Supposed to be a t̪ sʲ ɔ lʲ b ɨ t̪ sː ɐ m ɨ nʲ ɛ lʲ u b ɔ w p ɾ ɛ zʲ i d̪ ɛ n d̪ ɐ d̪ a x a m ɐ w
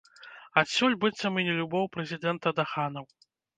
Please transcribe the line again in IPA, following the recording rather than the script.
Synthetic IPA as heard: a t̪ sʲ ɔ lʲ b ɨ t̪ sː ɐ m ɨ nʲ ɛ lʲ u b ɔ w p ɾ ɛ zʲ i d̪ ɛ n t̪ ɐ d̪ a x a n ɐ w